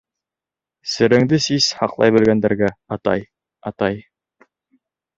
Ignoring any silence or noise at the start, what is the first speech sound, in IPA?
s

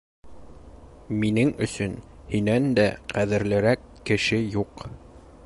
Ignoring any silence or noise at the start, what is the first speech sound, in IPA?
m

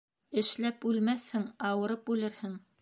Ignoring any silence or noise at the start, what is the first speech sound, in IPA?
ɘ̆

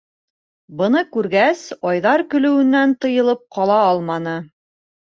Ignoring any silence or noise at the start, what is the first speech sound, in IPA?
b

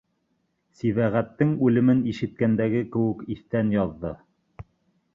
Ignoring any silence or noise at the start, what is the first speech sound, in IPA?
s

